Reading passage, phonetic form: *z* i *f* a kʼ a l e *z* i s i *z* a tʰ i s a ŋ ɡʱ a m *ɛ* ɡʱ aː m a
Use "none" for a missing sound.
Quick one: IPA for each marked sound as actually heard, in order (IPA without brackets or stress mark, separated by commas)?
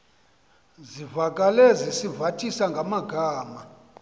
z, v, z, v, a